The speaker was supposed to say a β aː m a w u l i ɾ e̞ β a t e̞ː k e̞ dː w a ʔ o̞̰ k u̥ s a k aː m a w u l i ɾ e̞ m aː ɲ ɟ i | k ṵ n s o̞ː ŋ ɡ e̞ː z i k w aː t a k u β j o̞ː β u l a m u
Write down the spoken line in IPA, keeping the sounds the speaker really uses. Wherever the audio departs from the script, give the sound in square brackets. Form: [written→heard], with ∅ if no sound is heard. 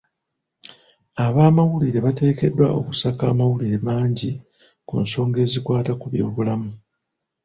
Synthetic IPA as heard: a β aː m a w u l i ɾ e̞ β a t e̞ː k e̞ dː w a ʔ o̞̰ k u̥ s a k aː m a w u l i ɾ e̞ m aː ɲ ɟ i | k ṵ n s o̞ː ŋ ɡ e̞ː z i k w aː t a k u β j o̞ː β u l a m u

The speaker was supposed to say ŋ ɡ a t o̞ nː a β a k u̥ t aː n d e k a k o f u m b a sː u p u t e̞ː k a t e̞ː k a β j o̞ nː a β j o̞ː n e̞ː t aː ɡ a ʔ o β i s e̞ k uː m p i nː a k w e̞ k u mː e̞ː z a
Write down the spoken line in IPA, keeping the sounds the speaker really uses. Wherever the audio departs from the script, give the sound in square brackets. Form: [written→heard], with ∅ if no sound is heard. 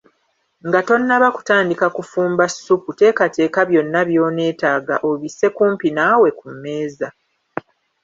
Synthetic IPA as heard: ŋ ɡ a t o̞ nː a β a k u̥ t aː n d [e→i] k a k [o→u] f [u→uː] m b a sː u p u t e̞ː k a t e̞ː k a β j o̞ nː a β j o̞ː n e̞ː t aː ɡ a ʔ o β i s e̞ k uː m p i [nː→n] a [k→∅] w e̞ k u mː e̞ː z a

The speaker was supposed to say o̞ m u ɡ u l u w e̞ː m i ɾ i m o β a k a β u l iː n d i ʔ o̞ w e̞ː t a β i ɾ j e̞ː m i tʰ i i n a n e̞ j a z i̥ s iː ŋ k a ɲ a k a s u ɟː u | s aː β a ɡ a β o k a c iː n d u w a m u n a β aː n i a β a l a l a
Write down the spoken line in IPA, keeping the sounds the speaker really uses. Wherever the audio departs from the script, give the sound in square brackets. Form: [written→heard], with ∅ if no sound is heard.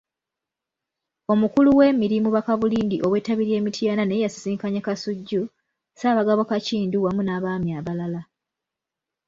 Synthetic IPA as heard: o̞ m u [ɡ→k] u l u w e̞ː m i ɾ i m [o→u] β a k a β u l iː n d i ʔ o̞ w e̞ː t a β i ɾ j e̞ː m i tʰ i [i→a] n a n e̞ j a [z→s] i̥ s iː ŋ k a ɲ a k a s u ɟː u | s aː β a ɡ a β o k a c iː n d u w a m u n a β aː [n→m] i a β a l a l a

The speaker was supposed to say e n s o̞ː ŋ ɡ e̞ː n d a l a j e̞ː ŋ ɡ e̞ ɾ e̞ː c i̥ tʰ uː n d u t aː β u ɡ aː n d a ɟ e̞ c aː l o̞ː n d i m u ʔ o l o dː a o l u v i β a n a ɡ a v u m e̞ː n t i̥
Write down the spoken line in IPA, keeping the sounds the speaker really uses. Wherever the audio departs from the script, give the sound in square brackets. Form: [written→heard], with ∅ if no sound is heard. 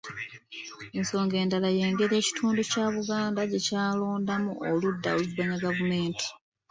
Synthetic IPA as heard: e n s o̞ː ŋ ɡ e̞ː n d a l a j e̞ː ŋ ɡ e̞ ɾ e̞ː c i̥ tʰ uː n d u [t→c] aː β u ɡ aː n d a ɟ e̞ c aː l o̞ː n d [i→a] m u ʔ o l [o→u] dː a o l u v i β a [n→ɲ] a ɡ a v u m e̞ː n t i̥

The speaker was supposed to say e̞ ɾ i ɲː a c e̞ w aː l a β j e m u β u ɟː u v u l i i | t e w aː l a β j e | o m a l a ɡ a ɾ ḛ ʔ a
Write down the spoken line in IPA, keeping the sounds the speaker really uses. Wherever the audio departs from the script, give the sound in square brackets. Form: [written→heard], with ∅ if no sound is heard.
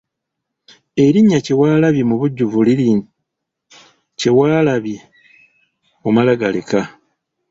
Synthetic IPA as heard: e̞ ɾ i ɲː a c e̞ w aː l a β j e m u β u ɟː u v u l i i | [t→c] e w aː l a β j e | o m a l a ɡ a [ɾ→l] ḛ [ʔ→k] a

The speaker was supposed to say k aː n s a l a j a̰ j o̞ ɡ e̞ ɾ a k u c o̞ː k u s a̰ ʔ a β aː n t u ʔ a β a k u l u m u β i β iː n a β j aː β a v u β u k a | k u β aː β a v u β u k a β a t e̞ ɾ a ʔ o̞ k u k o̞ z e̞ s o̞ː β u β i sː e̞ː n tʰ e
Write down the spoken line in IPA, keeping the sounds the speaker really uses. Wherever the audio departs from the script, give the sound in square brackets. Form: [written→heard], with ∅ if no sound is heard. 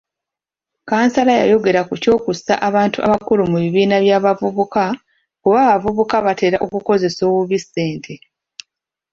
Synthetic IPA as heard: k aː n s a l a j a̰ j o̞ ɡ e̞ ɾ a k u c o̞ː k u s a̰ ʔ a β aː n t u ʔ a β a k u l u m u β i β iː n a β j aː β a v u β u k a | k u β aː β a v u β u k a β a t e̞ ɾ a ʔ o̞ k u k o̞ z e̞ s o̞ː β u β i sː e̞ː n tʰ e

